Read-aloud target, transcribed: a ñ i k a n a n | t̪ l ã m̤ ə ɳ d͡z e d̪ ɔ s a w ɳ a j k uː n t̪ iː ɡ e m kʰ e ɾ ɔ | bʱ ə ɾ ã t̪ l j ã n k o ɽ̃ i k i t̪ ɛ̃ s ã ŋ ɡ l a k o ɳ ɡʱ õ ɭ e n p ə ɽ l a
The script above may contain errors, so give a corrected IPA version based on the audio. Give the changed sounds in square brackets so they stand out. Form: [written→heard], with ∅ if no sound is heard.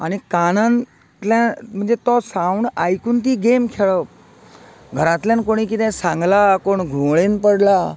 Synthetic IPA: a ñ i k a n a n | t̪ l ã m̤ ə ɳ d͡z e [d̪→t̪] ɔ s a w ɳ a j k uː n t̪ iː ɡ e m kʰ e [ɾ→ɭ] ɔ | [bʱ→ɡʱ] ə ɾ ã t̪ l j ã n k o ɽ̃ i k i t̪ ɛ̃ s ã ŋ ɡ l a k o ɳ ɡʱ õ ɭ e n p ə ɽ l a